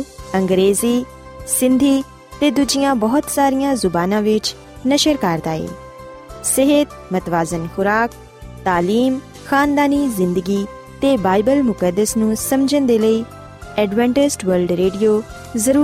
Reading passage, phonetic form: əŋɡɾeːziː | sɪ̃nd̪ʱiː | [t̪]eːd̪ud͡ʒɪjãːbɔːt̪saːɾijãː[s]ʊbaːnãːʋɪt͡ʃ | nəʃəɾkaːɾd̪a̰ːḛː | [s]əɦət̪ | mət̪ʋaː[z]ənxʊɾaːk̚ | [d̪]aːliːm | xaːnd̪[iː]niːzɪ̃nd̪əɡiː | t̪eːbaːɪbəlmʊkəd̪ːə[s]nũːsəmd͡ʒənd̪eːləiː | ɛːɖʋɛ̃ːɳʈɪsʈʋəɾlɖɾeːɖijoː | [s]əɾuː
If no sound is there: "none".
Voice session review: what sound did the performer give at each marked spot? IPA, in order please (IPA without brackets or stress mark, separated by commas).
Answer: t̪, z, s, z, t̪, aː, s, z